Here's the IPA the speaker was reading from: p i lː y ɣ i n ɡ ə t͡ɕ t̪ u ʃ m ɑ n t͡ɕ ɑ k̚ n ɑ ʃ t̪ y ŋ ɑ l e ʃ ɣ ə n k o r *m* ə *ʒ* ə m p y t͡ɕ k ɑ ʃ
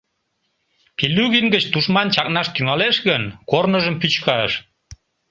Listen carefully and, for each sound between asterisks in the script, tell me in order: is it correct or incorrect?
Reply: incorrect: n, correct

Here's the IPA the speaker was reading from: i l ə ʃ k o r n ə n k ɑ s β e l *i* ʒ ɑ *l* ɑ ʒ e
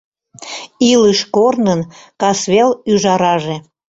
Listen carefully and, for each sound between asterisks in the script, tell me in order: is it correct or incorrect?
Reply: incorrect: y, incorrect: ɾ

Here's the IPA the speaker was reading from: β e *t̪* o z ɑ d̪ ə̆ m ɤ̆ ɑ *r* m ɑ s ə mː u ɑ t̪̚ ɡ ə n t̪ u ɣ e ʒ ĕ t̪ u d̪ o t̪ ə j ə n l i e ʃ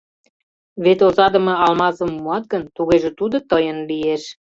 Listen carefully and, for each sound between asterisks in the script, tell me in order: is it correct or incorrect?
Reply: correct, incorrect: l

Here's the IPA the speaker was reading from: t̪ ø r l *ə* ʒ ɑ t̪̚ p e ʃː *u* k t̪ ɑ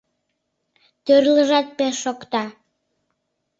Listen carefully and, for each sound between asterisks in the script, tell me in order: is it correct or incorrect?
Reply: correct, incorrect: o

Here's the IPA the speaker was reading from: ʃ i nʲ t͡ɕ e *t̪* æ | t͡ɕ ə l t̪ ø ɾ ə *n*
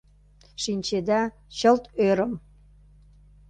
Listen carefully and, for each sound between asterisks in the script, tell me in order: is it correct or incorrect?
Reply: incorrect: d̪, incorrect: m

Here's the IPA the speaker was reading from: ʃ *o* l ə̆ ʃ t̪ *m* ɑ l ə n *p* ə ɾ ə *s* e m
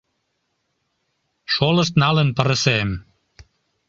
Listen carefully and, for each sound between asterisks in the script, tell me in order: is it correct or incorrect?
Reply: correct, incorrect: n, correct, correct

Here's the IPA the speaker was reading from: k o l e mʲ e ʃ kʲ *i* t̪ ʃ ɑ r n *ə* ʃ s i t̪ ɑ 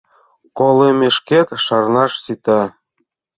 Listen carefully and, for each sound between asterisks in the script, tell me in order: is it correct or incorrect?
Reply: incorrect: e, incorrect: ɑ

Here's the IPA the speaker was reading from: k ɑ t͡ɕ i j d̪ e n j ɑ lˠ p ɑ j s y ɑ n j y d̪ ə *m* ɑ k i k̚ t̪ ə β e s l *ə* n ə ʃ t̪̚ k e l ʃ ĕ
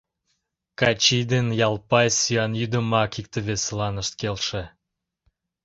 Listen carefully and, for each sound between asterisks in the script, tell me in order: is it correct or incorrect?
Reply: correct, incorrect: ɑ

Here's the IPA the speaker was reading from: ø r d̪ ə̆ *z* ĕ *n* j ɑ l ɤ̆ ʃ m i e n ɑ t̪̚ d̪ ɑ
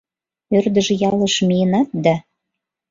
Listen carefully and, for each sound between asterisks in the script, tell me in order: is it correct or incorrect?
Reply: incorrect: ʒ, incorrect: none

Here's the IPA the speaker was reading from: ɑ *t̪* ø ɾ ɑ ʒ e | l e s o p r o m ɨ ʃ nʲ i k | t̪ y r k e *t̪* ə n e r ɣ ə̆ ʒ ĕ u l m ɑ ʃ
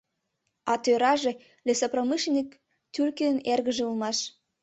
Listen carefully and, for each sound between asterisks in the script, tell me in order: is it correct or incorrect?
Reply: correct, incorrect: none

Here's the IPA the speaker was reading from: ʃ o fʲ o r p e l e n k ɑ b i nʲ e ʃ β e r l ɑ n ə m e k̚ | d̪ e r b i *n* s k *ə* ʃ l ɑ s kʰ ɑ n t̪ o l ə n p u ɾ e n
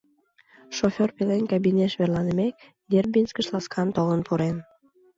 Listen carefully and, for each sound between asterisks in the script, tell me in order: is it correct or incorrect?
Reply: correct, correct

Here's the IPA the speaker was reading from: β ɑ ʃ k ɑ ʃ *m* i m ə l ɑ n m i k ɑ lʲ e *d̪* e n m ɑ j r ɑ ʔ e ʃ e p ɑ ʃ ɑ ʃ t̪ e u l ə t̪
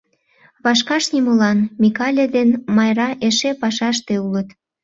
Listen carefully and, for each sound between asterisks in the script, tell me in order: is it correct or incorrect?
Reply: incorrect: n, correct

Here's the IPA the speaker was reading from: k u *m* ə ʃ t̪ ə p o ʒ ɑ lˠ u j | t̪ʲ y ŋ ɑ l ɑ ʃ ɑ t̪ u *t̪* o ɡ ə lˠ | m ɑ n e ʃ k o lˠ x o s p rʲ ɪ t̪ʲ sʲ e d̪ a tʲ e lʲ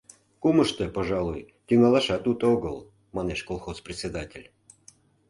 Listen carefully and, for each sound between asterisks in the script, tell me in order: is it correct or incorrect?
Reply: correct, correct

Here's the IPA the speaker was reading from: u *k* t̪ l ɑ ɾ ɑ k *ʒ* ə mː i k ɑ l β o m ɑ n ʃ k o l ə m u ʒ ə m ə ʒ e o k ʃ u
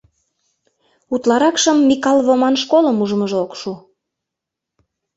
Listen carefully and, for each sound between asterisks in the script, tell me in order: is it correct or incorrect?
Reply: incorrect: none, incorrect: ʃ

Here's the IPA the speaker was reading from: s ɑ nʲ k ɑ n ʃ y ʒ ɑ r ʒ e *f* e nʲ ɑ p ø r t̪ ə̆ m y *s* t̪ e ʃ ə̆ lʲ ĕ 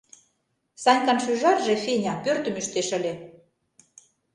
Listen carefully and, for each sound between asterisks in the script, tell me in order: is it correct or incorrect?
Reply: correct, incorrect: ʃ

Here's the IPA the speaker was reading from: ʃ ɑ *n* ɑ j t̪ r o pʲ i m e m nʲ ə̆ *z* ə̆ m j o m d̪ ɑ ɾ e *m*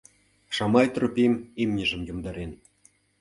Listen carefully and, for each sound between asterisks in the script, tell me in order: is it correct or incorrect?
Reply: incorrect: m, incorrect: ʒ, incorrect: n

